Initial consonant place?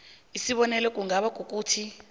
alveolar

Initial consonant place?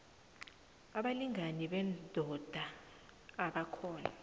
labial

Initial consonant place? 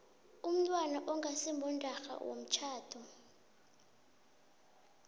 labial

